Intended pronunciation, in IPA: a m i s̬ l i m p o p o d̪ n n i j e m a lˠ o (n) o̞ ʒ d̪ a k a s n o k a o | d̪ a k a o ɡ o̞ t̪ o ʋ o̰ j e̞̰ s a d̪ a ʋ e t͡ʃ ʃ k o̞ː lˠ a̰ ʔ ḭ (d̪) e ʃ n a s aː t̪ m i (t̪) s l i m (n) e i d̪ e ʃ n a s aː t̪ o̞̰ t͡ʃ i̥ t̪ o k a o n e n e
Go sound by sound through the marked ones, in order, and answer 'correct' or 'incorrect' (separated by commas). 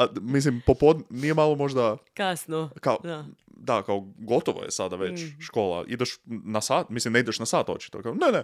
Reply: incorrect, correct, incorrect, correct